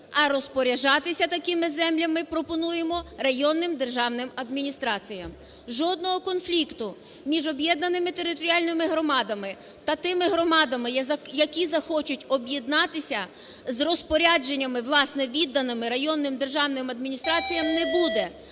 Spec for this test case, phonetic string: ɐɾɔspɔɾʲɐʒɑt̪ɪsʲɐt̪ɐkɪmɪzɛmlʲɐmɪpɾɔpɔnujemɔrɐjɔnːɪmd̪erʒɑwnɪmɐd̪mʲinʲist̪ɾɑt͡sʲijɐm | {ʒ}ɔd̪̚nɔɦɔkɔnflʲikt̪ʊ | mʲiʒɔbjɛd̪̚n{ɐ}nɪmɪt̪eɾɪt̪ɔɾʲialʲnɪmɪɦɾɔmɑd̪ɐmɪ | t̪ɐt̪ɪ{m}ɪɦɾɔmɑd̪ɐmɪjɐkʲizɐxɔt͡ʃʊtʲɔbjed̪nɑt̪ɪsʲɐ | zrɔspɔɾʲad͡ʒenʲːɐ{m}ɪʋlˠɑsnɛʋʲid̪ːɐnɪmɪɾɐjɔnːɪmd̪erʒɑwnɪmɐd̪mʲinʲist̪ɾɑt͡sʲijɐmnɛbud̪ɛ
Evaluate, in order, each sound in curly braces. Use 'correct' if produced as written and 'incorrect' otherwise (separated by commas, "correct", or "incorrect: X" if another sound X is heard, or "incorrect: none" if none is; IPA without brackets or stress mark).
correct, correct, correct, correct